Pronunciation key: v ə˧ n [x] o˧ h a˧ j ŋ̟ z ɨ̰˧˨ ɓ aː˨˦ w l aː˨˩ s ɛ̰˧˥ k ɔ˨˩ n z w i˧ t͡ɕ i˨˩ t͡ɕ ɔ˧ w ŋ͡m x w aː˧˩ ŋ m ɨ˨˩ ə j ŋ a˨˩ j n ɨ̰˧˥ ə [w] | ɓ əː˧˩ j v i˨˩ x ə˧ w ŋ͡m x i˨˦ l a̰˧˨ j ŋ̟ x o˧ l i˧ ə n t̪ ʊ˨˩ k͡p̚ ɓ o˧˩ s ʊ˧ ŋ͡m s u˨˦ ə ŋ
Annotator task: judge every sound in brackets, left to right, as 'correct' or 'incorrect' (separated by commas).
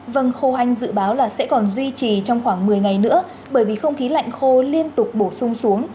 correct, incorrect